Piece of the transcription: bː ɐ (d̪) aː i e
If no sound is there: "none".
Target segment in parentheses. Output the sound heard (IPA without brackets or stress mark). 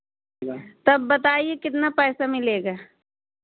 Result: t̪